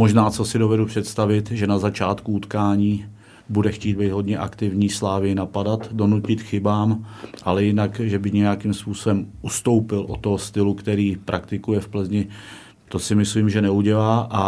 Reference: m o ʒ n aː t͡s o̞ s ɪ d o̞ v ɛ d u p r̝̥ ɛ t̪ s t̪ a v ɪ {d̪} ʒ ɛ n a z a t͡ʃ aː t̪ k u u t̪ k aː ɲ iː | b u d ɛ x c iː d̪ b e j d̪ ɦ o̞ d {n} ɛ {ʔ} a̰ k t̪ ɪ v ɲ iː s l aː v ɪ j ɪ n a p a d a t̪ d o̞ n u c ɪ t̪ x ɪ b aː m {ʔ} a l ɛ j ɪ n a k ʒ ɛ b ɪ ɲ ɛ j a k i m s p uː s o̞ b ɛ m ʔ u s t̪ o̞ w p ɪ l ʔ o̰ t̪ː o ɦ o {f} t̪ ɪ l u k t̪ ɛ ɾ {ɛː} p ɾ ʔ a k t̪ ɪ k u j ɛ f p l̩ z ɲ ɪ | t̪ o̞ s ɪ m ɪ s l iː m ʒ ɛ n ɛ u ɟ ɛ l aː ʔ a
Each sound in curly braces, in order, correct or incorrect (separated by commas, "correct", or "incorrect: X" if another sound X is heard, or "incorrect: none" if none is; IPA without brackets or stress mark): incorrect: t̪, incorrect: ɲ, correct, correct, incorrect: s, incorrect: iː